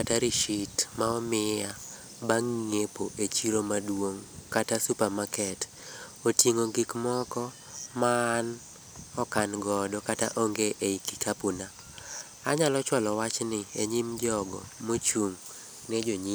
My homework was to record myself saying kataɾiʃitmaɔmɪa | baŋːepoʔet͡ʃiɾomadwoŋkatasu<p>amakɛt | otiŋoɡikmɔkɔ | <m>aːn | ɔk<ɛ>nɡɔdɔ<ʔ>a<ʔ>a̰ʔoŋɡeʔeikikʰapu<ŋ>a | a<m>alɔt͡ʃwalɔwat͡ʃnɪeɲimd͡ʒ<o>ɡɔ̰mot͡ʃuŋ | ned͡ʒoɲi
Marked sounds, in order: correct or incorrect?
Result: correct, correct, incorrect: a, incorrect: k, incorrect: t, incorrect: n, incorrect: ɲ, incorrect: ɔ

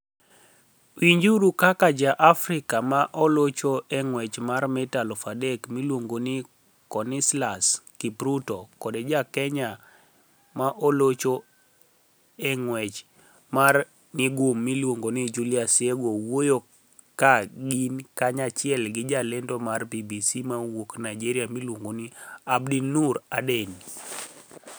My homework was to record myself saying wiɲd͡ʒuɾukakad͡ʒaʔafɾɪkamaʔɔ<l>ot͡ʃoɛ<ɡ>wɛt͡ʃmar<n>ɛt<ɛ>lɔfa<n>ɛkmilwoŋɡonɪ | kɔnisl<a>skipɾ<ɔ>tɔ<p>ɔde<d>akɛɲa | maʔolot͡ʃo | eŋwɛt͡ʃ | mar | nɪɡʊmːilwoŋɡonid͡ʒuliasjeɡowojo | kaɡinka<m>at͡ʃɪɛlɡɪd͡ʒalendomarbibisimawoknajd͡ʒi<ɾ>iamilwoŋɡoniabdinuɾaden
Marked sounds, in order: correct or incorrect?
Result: correct, incorrect: ŋ, incorrect: m, incorrect: a, incorrect: d, correct, incorrect: u, incorrect: k, incorrect: d͡ʒ, incorrect: ɲ, correct

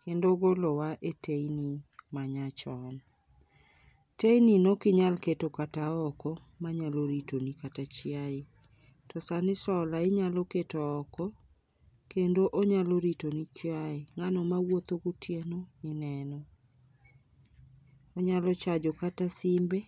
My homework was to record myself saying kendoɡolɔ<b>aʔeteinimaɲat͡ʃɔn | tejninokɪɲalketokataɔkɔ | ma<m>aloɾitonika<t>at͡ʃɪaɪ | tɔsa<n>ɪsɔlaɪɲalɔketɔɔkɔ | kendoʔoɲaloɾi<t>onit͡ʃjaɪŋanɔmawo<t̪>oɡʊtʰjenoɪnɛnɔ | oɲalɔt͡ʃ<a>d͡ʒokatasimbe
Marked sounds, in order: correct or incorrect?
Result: incorrect: w, incorrect: ɲ, correct, correct, correct, correct, correct

